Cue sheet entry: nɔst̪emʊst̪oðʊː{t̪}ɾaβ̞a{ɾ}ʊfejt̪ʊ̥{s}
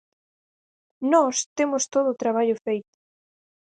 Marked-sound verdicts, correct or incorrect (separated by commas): correct, incorrect, incorrect